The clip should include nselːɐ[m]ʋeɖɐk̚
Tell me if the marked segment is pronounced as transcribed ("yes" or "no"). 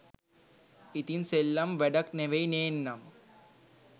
yes